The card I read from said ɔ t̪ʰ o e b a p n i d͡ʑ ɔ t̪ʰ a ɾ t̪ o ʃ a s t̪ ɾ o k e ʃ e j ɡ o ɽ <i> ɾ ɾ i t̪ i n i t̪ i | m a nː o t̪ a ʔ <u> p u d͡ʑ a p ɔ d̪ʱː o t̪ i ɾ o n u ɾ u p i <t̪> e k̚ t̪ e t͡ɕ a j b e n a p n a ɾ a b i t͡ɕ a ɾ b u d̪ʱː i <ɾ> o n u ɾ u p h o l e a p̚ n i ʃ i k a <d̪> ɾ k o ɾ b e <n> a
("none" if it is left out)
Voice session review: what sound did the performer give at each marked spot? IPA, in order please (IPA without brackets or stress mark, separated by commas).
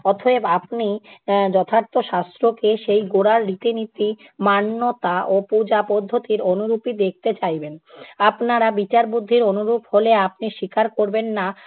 a, o, d̪, ɾ, none, nː